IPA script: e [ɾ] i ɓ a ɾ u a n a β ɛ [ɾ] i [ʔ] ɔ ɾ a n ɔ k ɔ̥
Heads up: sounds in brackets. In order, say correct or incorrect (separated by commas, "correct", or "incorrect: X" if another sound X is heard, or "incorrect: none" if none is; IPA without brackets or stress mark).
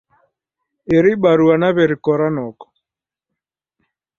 correct, correct, incorrect: k